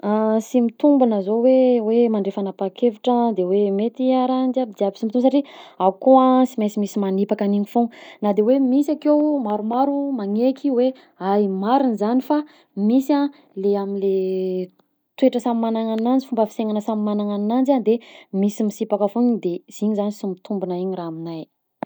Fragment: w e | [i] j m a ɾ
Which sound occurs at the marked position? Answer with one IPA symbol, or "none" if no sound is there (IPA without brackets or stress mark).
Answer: a